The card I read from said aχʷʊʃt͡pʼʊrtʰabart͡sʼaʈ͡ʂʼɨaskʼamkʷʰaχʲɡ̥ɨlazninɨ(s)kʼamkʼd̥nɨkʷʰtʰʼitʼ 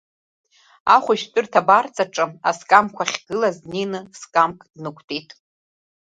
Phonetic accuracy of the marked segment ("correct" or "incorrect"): correct